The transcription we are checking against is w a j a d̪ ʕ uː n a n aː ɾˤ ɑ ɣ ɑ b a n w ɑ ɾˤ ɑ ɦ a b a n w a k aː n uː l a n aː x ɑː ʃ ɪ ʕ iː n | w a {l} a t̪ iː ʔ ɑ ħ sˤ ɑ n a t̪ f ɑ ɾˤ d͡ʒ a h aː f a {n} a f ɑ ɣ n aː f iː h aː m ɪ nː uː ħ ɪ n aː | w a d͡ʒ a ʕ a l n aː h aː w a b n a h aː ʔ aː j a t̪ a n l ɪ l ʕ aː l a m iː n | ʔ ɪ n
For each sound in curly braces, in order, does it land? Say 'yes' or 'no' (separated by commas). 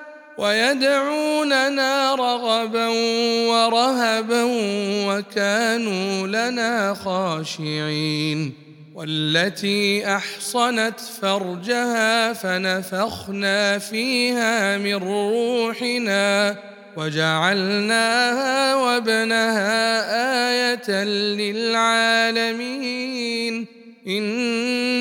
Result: no, yes